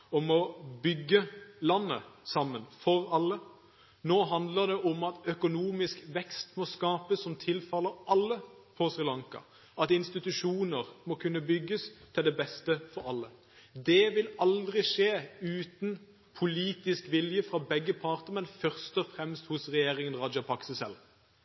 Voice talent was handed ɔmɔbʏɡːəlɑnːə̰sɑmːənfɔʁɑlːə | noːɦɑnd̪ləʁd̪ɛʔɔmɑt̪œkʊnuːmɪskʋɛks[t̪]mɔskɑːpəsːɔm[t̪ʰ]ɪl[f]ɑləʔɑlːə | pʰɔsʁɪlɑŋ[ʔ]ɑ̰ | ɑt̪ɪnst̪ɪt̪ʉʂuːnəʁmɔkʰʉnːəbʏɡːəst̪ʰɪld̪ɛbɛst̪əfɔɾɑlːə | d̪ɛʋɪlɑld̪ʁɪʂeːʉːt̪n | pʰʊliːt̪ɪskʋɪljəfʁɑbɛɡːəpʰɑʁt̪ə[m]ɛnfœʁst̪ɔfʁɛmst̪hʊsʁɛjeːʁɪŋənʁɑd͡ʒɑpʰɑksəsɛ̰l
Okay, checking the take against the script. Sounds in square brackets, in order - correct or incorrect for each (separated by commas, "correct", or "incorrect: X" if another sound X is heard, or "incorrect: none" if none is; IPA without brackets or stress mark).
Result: correct, correct, correct, incorrect: k, correct